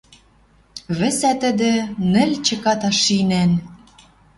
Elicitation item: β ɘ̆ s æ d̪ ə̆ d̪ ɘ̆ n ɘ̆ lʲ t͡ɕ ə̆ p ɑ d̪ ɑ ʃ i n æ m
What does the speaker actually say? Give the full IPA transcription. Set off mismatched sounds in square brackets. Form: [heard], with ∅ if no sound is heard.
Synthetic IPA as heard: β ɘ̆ s æ [t̪] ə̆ d̪ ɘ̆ n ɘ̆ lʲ t͡ɕ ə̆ [k] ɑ [t̪] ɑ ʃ i n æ [n]